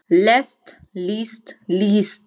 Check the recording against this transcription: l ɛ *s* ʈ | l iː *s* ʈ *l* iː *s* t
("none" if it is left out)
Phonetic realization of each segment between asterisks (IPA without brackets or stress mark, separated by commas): s, s, l, s